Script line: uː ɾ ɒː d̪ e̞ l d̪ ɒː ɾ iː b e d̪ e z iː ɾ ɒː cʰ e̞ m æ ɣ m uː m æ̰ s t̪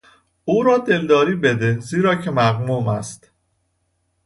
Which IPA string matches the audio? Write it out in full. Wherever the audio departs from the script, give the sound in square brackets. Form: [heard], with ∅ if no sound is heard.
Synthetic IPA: uː ɾ ɒː d̪ e̞ l d̪ ɒː ɾ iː b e d̪ e z iː ɾ ɒː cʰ e̞ m æ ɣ m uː m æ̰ s t̪